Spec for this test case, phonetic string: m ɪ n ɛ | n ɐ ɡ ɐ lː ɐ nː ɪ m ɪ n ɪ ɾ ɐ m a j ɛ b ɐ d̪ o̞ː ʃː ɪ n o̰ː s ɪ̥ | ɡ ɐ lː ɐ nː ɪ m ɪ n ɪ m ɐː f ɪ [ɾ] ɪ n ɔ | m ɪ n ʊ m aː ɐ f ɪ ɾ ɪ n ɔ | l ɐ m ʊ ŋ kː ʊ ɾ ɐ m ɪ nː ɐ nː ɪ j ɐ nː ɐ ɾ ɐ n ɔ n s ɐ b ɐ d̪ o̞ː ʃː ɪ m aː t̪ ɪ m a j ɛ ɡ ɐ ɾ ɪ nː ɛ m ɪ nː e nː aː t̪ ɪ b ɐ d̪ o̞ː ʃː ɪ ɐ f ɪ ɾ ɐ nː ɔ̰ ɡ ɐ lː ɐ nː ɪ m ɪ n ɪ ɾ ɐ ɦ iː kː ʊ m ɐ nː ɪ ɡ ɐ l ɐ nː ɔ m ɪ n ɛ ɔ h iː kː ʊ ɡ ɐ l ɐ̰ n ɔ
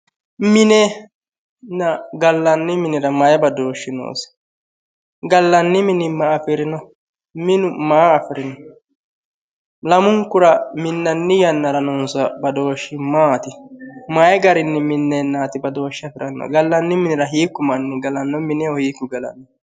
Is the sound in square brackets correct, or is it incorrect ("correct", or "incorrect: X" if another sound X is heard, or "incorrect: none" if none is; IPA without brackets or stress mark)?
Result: correct